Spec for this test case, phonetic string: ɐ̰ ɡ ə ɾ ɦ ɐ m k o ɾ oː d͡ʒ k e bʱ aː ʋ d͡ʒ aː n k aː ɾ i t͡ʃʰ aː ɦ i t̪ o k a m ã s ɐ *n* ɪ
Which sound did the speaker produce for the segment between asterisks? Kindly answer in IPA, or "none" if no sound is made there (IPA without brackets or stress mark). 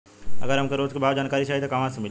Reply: m